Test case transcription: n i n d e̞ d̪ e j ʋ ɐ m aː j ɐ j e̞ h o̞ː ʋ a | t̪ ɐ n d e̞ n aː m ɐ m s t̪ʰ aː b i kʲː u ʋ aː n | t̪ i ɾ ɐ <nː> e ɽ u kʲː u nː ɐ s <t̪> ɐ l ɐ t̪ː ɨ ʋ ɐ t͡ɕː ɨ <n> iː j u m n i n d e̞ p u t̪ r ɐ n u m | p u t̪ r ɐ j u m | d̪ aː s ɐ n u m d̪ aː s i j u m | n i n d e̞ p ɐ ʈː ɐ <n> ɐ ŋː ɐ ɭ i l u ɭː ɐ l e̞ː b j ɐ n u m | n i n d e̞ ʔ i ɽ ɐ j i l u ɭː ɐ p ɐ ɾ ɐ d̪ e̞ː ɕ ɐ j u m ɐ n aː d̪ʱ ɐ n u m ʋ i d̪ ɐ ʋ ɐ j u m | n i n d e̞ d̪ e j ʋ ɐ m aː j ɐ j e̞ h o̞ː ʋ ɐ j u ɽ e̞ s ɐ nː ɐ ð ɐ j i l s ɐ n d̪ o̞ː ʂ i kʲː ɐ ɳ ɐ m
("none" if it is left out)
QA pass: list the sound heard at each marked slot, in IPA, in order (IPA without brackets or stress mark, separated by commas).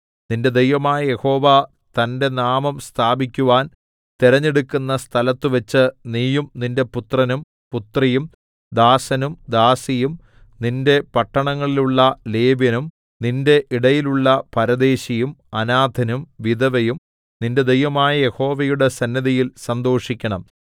ɲː, t̪ʰ, n, ɳ